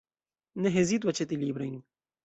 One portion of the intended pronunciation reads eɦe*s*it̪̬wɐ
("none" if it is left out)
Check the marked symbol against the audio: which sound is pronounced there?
z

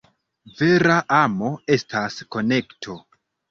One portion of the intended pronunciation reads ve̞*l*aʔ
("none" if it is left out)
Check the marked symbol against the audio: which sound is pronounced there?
ɾ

